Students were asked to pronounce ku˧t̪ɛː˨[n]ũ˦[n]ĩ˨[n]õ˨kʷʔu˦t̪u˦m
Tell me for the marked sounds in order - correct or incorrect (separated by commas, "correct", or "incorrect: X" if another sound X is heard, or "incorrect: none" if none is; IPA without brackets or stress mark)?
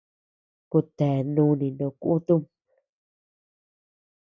correct, correct, correct